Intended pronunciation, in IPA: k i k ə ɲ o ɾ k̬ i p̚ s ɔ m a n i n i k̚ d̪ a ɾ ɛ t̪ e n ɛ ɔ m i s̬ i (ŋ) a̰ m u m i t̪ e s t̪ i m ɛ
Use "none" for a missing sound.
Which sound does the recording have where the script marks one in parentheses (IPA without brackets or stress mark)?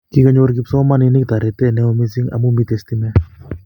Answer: ŋ